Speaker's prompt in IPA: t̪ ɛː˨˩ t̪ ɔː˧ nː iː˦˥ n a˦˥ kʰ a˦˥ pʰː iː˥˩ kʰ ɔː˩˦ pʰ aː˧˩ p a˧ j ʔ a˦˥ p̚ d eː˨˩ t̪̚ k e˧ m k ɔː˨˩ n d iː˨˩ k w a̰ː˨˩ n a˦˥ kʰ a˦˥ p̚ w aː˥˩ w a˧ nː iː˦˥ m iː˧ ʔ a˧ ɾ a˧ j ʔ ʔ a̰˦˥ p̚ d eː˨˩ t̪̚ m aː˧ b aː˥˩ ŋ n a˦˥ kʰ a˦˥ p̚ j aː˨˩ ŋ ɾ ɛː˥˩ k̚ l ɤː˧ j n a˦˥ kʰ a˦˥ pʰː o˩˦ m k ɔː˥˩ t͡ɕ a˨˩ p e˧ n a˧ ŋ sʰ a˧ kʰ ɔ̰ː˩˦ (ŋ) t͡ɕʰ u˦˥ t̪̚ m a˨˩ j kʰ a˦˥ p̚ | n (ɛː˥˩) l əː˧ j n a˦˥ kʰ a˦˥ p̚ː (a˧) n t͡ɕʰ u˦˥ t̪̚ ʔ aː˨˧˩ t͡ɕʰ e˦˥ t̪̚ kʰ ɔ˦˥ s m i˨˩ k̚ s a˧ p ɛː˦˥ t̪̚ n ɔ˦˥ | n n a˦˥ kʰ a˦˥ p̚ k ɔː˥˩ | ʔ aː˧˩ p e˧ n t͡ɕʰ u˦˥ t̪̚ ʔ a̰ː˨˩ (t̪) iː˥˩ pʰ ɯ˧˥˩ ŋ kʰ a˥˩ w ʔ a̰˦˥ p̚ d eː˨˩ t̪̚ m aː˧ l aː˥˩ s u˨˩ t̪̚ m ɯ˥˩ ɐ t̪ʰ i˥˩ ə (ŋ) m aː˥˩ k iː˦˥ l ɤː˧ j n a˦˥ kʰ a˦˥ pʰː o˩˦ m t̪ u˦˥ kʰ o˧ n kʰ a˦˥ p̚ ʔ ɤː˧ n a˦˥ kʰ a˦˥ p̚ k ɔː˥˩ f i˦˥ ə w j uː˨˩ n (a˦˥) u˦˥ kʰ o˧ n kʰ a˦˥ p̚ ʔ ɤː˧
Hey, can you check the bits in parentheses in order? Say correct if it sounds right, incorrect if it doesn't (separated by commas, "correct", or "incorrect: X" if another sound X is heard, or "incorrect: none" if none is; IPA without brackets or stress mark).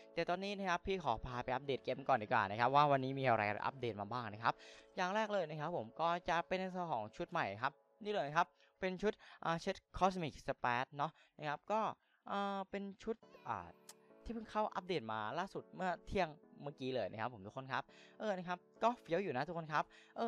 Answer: correct, incorrect: iː˥˩, incorrect: e˧, incorrect: t̪ʰ, correct, correct